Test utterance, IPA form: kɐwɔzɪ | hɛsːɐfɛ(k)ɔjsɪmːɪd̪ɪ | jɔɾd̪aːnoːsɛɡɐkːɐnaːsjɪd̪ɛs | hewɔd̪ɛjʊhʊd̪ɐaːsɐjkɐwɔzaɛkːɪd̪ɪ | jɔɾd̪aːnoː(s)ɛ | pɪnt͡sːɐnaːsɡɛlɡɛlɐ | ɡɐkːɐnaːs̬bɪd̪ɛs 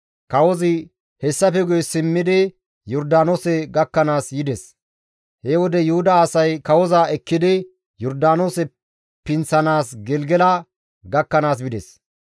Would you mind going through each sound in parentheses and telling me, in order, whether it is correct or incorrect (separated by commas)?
incorrect, correct